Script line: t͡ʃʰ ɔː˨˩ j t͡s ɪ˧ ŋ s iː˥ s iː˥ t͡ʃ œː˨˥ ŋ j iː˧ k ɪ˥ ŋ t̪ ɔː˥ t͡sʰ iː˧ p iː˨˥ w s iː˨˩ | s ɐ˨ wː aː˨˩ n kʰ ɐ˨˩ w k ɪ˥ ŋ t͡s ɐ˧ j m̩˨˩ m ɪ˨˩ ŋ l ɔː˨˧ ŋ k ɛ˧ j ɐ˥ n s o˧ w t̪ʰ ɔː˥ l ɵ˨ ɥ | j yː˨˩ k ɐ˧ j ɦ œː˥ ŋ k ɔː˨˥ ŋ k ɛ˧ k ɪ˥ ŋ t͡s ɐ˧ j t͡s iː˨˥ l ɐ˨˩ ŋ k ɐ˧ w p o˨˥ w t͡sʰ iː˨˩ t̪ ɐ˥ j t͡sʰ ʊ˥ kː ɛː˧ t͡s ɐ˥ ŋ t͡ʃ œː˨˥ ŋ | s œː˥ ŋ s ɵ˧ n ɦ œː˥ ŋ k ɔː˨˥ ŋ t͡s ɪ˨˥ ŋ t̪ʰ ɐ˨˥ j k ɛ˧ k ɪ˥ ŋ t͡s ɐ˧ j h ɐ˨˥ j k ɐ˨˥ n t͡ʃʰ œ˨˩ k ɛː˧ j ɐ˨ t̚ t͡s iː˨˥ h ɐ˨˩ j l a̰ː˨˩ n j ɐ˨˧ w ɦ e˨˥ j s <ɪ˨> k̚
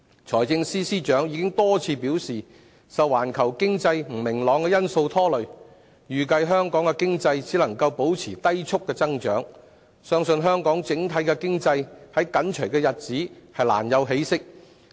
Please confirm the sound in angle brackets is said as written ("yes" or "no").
no